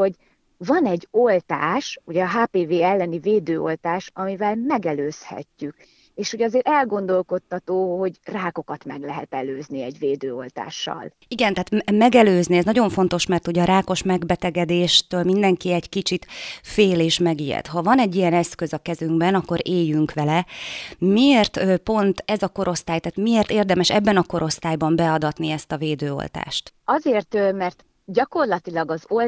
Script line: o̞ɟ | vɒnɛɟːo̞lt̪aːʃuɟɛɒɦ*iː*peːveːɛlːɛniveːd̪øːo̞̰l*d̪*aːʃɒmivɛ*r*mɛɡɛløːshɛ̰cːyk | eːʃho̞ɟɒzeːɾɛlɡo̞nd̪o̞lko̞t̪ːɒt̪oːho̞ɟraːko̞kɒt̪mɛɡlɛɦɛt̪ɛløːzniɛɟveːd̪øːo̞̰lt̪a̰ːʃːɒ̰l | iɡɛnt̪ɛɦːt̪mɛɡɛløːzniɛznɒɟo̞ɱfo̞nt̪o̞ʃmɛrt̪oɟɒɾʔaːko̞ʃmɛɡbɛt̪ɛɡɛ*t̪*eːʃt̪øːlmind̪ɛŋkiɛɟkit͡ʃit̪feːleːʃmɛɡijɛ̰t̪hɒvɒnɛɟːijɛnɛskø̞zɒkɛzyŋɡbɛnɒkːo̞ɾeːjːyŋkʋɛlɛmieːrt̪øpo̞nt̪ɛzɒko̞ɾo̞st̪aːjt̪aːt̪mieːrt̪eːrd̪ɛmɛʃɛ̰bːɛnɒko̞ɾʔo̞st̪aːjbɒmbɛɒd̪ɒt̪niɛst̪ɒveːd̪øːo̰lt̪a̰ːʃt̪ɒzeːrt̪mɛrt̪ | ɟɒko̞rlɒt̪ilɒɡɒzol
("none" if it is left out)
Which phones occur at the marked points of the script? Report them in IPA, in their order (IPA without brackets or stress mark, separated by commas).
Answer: aː, t̪, l, d̪